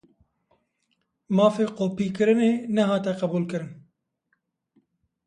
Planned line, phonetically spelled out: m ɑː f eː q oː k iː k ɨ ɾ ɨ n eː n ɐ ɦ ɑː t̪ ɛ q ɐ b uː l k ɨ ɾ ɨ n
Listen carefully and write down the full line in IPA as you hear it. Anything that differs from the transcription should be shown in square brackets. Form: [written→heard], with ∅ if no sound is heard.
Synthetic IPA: m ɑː f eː q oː [k→p] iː k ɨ ɾ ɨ n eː n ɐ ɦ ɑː t̪ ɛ q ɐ b uː l k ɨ ɾ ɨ n